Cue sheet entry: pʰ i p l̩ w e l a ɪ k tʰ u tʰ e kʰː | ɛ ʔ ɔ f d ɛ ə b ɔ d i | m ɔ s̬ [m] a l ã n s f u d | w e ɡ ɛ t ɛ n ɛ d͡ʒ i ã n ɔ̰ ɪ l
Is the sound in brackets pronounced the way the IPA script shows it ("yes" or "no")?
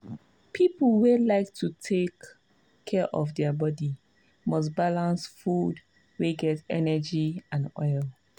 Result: no